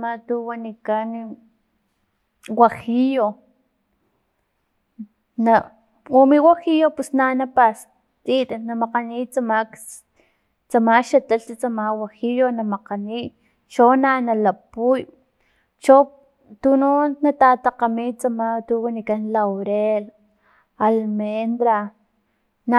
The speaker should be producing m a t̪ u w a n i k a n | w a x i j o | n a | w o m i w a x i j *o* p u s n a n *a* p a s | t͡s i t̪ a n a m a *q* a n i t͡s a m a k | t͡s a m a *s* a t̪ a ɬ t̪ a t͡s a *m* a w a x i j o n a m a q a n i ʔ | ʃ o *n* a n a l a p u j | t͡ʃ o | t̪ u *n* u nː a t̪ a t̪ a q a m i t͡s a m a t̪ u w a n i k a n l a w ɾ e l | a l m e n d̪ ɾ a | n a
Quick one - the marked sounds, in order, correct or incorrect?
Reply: correct, correct, correct, incorrect, correct, correct, correct

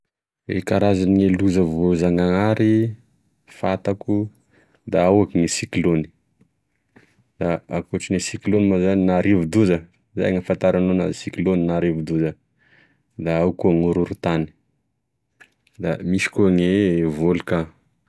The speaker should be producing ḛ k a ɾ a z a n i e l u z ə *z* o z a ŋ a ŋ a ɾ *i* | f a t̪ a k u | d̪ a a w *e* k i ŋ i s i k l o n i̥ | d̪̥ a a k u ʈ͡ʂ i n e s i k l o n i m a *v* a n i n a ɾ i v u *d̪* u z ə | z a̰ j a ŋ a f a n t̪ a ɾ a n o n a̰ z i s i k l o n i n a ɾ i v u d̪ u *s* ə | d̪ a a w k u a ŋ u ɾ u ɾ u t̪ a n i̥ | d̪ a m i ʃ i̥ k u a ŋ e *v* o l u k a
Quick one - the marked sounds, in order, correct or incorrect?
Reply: incorrect, correct, incorrect, incorrect, correct, incorrect, correct

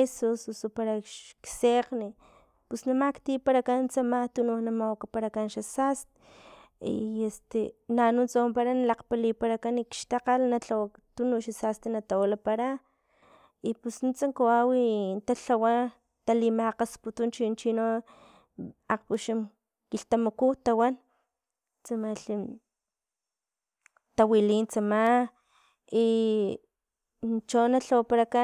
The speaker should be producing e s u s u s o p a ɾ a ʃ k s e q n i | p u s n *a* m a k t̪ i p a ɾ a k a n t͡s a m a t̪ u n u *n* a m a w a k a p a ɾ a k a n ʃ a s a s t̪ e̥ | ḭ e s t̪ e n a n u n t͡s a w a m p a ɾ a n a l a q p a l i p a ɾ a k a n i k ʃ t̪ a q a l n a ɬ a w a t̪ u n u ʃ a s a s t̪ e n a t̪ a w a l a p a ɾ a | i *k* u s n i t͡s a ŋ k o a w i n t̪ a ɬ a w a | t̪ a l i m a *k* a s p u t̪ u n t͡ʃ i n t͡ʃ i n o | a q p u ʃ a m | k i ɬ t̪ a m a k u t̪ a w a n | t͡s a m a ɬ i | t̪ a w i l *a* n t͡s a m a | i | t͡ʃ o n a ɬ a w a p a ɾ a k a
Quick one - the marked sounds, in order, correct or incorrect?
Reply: correct, correct, incorrect, incorrect, incorrect

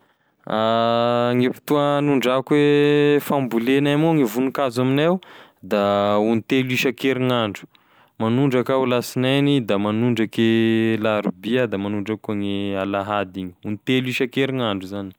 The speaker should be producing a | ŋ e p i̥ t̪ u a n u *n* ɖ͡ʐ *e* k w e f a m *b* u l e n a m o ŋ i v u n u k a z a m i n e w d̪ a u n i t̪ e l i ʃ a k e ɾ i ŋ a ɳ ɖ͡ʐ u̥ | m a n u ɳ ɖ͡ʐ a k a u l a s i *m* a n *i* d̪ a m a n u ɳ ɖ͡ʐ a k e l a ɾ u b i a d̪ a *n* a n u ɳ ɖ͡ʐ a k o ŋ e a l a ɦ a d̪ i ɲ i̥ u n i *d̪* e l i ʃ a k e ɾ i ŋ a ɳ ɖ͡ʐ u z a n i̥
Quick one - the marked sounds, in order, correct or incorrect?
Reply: incorrect, incorrect, correct, incorrect, correct, incorrect, incorrect

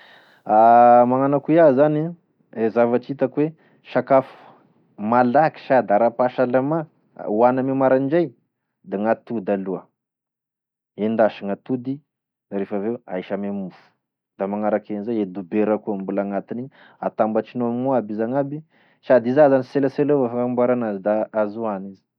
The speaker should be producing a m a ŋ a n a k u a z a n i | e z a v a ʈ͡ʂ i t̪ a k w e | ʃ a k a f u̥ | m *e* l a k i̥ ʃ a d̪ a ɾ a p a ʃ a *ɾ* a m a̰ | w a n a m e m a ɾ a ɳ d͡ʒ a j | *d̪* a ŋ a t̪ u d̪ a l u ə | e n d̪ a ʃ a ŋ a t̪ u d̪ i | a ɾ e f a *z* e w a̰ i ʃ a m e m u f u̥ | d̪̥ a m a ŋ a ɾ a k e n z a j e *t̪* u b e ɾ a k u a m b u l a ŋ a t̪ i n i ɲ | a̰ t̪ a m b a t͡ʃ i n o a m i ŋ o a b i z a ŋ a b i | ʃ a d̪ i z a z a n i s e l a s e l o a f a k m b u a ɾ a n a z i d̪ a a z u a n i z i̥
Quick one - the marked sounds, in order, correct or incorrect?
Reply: incorrect, incorrect, correct, incorrect, incorrect

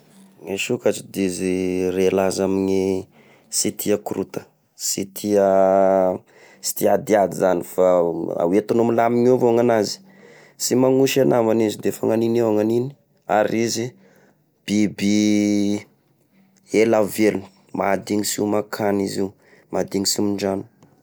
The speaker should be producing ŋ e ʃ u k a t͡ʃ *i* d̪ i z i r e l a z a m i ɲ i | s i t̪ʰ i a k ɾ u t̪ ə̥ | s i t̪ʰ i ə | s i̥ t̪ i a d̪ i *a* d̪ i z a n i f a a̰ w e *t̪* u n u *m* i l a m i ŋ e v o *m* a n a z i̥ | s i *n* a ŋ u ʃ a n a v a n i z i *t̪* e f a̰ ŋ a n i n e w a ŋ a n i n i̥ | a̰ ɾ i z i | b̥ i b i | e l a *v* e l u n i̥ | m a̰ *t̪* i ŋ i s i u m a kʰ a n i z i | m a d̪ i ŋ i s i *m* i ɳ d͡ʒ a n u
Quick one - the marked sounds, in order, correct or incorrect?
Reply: correct, correct, correct, correct, incorrect, incorrect, incorrect, correct, incorrect, correct

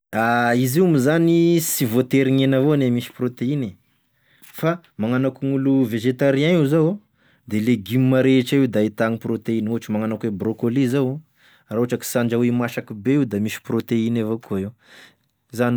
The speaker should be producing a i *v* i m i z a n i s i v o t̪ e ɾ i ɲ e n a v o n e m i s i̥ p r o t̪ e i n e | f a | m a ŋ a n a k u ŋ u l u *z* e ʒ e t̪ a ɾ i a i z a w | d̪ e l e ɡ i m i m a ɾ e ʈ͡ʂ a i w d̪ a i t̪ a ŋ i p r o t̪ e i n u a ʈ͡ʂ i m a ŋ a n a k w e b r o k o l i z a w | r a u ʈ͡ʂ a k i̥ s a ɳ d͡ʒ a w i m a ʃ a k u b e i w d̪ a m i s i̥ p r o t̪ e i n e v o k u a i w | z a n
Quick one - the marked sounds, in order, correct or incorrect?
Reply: incorrect, incorrect

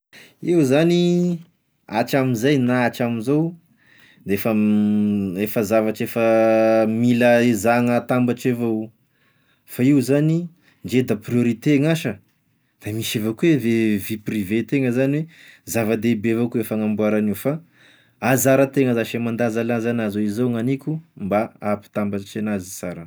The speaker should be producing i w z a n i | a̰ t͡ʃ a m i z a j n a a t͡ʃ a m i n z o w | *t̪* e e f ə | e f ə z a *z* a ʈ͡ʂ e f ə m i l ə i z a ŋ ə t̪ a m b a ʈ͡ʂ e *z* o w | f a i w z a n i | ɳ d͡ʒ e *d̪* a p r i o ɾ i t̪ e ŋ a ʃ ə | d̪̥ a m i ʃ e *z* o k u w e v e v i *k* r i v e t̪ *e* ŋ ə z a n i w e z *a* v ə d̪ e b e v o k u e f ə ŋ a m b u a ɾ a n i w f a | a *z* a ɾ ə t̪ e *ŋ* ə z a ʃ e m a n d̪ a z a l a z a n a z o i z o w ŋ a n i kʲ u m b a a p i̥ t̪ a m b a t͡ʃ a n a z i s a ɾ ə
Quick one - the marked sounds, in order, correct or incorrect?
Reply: incorrect, incorrect, incorrect, correct, incorrect, incorrect, correct, correct, correct, correct

